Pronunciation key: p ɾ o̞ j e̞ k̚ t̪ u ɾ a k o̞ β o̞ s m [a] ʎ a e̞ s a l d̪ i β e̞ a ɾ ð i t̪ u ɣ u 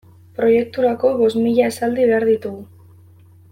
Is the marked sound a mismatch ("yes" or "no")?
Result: yes